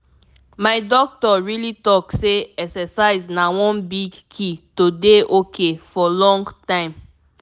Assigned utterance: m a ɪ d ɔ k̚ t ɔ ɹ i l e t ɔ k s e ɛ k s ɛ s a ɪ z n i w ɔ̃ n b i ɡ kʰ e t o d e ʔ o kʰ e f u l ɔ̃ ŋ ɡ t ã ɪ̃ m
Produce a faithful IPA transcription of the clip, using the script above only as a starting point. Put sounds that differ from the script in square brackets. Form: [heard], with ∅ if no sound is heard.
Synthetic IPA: m a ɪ d ɔ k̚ t ɔ ɹ i l [i] t ɔ k s e ɛ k s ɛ s a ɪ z n [a] w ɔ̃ n b i ɡ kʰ [i] t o d e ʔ o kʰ e f [ɔ] l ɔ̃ ŋ ɡ t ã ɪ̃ m